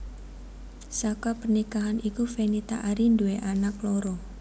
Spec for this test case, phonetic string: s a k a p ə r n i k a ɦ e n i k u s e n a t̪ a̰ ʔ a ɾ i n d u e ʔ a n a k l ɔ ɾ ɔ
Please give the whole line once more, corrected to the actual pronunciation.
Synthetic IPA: s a k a p ə r n i k a ɦ a n i k u f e n i t̪ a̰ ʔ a ɾ i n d u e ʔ a n a k l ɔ ɾ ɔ